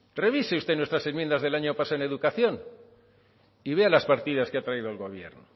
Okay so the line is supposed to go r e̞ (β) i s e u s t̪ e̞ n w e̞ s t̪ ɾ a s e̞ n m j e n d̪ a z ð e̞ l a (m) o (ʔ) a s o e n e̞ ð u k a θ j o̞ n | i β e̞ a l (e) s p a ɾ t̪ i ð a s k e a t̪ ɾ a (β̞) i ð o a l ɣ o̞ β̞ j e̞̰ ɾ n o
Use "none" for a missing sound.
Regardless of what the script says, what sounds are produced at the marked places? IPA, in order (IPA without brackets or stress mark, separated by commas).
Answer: β, ɲ, p, a, none